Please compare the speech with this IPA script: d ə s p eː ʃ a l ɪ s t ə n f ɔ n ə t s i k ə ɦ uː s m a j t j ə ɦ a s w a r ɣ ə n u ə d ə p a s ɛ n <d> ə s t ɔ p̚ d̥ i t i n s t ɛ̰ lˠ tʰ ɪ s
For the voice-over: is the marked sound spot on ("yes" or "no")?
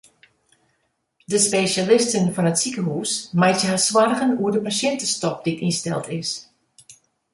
no